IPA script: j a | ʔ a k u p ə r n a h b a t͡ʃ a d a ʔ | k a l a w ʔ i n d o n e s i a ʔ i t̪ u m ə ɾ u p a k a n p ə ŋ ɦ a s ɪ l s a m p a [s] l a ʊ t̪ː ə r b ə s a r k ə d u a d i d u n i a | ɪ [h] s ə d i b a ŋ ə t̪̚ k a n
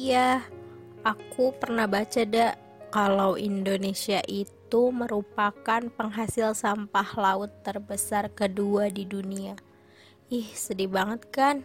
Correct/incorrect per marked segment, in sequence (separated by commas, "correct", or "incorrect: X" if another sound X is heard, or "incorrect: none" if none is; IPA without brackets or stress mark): incorrect: h, correct